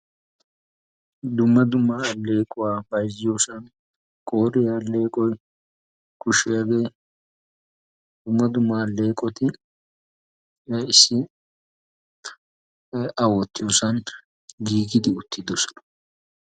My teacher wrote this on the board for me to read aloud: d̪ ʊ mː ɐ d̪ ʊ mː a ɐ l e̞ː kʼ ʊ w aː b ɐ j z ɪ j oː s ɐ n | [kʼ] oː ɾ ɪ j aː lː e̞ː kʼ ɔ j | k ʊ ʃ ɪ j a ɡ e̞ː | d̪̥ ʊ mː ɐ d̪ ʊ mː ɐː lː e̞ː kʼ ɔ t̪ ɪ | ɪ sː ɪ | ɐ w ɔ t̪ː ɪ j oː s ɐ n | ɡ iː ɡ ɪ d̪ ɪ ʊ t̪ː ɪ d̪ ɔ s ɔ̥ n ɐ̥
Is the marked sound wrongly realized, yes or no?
no